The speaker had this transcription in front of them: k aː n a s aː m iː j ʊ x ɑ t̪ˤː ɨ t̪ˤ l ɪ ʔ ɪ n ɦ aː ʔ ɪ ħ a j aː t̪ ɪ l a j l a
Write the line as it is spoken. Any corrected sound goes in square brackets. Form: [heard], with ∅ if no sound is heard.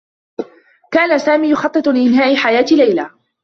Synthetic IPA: k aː n a s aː m iː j ʊ x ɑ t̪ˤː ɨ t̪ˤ l ɪ ʔ ɪ n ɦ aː ʔ ɪ ħ a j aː t̪ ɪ l a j l a